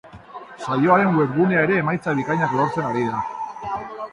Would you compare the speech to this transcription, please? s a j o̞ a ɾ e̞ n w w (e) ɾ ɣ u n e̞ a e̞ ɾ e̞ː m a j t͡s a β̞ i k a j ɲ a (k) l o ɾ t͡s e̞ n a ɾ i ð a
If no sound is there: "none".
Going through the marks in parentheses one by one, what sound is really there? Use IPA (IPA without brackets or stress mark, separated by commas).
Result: e, k